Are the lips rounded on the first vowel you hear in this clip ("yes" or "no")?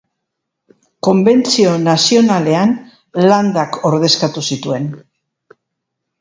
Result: yes